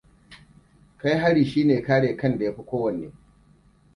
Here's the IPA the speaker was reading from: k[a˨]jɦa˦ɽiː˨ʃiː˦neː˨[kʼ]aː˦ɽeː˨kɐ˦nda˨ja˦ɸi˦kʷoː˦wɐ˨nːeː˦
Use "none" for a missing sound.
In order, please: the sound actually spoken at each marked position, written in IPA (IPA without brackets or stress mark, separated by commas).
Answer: a˦, k